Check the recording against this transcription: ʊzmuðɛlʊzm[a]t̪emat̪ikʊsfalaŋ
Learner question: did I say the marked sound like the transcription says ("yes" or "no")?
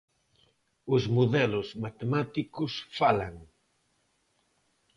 yes